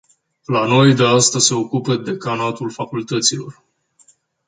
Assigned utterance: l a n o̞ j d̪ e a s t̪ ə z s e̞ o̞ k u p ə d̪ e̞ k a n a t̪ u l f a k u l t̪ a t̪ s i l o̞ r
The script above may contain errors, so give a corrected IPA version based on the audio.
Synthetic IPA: l a n o̞ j d̪ e a s t̪ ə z s e̞ o̞ k u p ə d̪ e̞ k a n a t̪ u l f a k u l t̪ ə t̪ s i l o̞ r